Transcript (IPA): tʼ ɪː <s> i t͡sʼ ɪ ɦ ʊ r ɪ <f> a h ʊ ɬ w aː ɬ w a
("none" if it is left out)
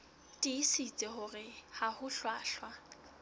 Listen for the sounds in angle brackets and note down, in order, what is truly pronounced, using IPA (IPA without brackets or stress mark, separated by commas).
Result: s, h